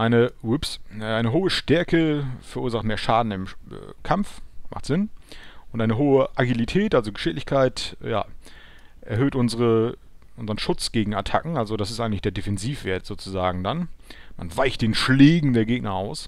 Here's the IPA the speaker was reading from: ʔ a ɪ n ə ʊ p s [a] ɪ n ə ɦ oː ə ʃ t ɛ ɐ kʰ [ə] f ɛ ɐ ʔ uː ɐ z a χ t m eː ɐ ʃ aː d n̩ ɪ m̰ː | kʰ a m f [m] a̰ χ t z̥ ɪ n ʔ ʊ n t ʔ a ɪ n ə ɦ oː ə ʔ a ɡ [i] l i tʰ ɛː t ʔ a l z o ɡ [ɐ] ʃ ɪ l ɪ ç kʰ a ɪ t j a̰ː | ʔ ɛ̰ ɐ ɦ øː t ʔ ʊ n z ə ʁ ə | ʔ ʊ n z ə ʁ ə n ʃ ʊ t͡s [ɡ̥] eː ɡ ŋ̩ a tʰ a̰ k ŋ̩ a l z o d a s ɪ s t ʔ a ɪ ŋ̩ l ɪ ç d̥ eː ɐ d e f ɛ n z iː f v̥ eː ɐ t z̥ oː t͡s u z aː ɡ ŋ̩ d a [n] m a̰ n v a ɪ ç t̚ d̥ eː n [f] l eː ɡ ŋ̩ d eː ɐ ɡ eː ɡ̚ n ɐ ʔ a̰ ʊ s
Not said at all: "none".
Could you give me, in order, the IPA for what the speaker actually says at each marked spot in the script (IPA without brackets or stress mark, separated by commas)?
a, ə, m, i, ə, ɡ̥, n, ʃ